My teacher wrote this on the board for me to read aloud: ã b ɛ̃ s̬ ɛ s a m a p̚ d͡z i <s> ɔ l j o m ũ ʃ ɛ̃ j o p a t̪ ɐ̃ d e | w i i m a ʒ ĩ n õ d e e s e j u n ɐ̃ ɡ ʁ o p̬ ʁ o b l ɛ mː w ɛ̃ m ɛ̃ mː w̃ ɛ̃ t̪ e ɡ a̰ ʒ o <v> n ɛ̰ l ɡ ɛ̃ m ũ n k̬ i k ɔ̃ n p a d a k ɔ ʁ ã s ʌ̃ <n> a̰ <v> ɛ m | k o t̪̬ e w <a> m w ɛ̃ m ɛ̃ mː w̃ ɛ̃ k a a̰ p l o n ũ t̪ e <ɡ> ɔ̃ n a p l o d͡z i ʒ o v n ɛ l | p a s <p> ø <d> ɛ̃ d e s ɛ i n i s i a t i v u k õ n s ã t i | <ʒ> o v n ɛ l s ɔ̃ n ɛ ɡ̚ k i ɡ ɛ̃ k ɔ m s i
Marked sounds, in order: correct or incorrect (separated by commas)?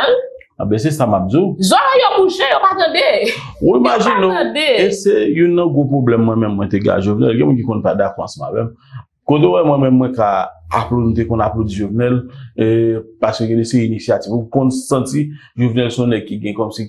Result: incorrect, correct, incorrect, correct, incorrect, incorrect, incorrect, incorrect, correct